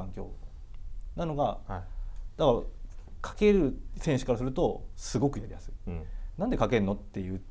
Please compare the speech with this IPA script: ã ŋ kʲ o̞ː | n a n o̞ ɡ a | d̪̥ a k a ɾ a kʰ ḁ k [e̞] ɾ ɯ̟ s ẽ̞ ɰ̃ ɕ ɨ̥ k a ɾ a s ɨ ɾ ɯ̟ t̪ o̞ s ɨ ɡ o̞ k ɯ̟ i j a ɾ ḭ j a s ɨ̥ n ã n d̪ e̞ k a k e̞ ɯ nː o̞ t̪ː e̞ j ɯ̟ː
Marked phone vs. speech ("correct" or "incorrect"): correct